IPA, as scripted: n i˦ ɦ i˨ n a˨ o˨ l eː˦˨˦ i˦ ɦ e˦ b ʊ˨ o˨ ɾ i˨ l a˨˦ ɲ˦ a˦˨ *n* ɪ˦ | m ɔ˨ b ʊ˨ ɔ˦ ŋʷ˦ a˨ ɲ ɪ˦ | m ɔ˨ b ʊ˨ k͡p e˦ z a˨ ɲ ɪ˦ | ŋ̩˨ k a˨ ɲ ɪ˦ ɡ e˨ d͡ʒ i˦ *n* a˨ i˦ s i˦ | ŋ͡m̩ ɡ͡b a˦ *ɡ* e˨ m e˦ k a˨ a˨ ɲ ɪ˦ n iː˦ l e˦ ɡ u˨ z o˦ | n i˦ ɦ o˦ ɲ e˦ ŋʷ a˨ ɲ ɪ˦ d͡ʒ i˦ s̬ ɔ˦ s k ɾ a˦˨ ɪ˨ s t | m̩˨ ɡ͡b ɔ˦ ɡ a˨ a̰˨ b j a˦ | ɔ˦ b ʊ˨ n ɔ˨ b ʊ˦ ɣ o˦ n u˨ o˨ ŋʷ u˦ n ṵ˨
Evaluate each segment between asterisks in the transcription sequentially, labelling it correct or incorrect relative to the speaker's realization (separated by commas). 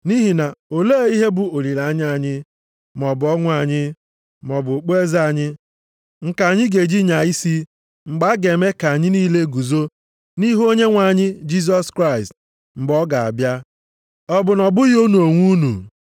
incorrect, incorrect, correct